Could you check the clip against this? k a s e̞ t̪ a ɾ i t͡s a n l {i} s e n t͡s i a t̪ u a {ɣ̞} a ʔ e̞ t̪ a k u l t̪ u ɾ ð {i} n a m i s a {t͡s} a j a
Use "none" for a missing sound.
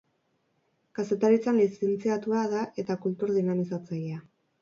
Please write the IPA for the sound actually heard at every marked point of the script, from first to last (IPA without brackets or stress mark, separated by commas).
i, ð̞, i, t͡s